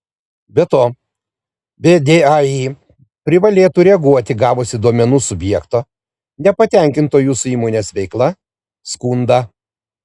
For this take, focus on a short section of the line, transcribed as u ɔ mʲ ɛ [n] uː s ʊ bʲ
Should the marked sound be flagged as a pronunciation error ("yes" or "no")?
no